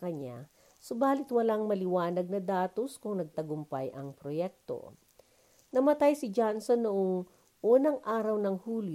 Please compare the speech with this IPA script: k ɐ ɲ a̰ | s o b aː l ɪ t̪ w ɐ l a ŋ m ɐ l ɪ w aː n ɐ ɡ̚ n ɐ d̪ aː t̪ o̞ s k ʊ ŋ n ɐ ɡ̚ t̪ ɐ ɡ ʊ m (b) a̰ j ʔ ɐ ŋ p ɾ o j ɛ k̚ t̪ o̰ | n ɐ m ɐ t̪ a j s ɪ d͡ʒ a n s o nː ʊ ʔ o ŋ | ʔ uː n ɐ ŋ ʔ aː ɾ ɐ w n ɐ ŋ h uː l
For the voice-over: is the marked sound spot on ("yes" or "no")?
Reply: no